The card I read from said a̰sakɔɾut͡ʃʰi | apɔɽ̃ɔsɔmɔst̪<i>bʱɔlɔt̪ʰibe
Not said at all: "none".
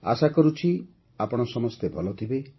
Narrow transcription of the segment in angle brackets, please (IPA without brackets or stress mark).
e